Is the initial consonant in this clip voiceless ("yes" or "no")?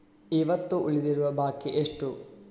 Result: no